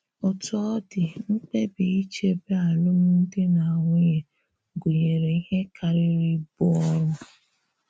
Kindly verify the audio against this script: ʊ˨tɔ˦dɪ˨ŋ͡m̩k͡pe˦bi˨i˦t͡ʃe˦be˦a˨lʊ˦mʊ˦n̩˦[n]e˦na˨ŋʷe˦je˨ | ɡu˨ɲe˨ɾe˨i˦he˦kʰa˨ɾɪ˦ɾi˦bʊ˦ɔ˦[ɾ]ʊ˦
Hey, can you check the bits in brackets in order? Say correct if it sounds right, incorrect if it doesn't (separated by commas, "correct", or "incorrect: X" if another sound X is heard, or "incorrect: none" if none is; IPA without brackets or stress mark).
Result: incorrect: d, correct